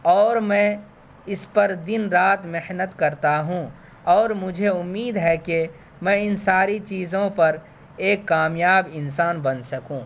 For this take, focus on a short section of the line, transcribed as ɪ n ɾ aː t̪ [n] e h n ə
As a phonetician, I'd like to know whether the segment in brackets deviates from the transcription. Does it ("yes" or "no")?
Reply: yes